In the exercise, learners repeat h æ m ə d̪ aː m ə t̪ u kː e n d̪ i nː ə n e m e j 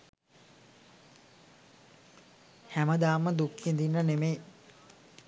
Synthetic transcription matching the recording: h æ m ə d̪ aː m ə d̪ u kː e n d̪ i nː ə n e m e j